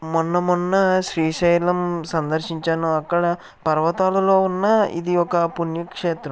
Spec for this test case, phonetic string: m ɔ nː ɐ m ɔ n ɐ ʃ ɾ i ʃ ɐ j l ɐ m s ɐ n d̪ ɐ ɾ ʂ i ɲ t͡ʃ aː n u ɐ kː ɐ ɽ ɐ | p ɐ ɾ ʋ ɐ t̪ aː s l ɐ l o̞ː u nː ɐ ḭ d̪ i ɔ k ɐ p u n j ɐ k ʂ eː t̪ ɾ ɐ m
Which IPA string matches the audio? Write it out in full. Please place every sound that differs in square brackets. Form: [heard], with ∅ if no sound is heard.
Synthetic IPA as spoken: m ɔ nː ɐ m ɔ [nː] ɐ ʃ ɾ [iː] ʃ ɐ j l ɐ m s ɐ n d̪ ɐ ɾ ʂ i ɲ t͡ʃ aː n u ɐ kː ɐ ɽ ɐ | p ɐ ɾ ʋ ɐ t̪ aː [∅] l ɐ l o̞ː u nː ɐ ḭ d̪ i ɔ k ɐ p u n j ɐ k ʂ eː t̪ ɾ ɐ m